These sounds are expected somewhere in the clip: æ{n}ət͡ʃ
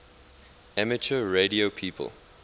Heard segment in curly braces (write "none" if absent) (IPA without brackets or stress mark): m